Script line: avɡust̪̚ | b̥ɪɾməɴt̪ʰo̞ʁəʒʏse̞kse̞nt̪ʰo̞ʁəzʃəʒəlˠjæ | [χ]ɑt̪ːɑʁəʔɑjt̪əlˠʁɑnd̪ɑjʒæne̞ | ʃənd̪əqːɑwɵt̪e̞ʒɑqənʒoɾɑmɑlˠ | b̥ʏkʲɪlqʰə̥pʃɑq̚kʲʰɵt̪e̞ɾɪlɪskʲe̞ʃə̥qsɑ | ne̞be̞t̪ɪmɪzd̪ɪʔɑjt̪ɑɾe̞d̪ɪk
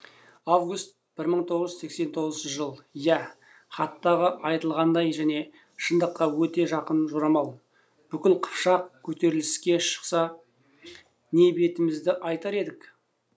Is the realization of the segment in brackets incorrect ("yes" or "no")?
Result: no